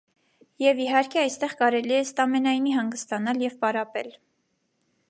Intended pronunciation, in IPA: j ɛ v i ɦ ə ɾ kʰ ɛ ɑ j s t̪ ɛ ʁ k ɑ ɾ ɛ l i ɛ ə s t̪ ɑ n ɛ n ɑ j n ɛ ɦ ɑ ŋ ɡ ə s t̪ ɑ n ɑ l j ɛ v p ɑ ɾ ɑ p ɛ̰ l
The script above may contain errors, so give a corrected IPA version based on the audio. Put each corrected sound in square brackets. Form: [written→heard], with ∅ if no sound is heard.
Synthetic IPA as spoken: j ɛ v i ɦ [ə→ɑ] ɾ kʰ ɛ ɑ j s t̪ ɛ ʁ k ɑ ɾ ɛ l i ɛ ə s t̪ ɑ [n→m] ɛ n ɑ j n [ɛ→i] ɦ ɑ ŋ ɡ ə s t̪ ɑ n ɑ l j ɛ v p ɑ ɾ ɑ p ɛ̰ l